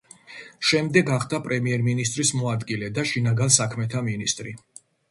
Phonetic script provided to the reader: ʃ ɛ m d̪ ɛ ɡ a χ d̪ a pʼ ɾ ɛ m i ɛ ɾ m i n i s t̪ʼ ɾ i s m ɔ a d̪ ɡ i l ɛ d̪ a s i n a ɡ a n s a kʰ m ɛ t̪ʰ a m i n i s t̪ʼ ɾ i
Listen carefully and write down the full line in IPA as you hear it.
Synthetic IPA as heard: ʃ ɛ m d̪ ɛ ɡ a χ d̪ a pʼ ɾ ɛ m i ɛ ɾ m i n i s t̪ʼ ɾ i s m ɔ a d̪ ɡ i l ɛ d̪ a ʃ i n a ɡ a n s a kʰ m ɛ t̪ʰ a m i n i s t̪ʼ ɾ i